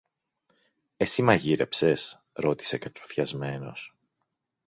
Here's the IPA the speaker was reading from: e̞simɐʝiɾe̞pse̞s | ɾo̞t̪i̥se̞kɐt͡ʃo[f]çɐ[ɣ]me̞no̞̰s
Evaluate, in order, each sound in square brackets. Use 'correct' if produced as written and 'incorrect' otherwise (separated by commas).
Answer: correct, incorrect